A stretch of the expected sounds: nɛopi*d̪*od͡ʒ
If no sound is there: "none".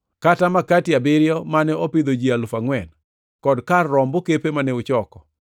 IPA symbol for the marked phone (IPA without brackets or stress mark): d̪